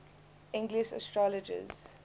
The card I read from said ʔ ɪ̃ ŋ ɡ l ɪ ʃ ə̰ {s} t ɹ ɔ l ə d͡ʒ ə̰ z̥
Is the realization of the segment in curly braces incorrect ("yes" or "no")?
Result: no